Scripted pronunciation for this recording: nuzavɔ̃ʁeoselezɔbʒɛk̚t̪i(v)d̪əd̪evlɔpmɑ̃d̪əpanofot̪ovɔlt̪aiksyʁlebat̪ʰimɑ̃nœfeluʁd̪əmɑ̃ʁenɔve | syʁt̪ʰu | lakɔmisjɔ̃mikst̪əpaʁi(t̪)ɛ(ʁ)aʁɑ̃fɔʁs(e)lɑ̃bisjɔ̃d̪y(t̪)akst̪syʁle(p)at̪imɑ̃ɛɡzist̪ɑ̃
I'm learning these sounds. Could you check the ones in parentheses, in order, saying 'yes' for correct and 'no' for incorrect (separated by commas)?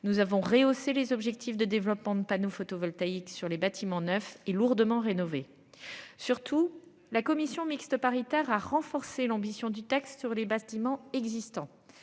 no, yes, yes, yes, yes, no